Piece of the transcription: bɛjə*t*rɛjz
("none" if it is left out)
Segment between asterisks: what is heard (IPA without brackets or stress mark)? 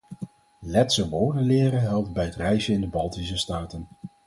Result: t